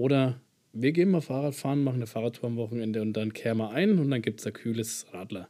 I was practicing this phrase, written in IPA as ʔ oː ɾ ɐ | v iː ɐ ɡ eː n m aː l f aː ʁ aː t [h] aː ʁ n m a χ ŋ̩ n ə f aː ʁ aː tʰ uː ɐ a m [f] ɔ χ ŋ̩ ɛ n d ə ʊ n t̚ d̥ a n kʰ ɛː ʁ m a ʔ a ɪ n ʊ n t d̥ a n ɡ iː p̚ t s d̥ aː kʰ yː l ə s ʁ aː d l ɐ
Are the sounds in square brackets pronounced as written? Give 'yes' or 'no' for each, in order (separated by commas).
no, no